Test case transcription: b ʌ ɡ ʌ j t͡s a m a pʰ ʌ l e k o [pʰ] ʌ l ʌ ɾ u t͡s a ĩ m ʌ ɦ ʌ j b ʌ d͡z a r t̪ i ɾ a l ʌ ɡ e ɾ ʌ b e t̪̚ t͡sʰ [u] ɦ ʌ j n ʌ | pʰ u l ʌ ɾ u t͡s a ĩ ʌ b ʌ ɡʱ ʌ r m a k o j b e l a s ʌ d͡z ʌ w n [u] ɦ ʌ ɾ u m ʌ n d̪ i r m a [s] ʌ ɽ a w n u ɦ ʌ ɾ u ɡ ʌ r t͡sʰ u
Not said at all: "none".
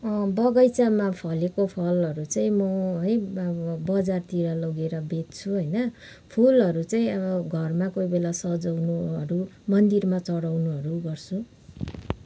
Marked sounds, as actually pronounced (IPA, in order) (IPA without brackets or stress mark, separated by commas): pʰ, u, u, t͡s